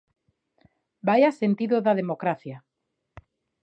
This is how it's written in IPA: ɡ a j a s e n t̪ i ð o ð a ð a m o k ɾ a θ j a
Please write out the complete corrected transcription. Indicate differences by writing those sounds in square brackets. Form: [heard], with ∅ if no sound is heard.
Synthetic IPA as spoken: [b] a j a s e n t̪ i ð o ð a ð [e] m o k ɾ a θ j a